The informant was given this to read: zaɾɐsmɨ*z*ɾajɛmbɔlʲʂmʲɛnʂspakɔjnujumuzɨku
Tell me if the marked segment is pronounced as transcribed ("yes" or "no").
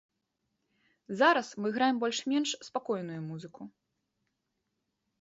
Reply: no